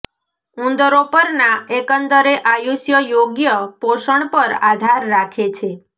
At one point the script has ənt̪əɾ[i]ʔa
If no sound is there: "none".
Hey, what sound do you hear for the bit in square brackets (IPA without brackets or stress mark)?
e